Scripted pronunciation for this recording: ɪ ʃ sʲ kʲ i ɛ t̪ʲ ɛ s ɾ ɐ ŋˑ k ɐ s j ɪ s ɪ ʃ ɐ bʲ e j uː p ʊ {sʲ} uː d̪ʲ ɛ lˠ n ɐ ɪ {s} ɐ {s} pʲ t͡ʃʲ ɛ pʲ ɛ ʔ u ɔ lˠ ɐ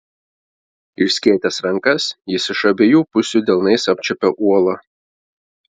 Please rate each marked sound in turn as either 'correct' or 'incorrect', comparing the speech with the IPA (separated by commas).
correct, correct, incorrect